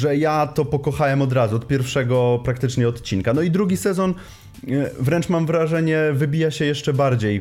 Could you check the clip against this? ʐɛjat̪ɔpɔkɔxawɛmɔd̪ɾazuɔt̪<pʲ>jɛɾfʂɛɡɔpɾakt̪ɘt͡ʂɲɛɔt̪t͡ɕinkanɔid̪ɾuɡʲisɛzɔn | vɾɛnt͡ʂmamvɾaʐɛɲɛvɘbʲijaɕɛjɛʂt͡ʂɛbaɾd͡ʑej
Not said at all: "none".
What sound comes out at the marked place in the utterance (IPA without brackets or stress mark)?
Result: pʲ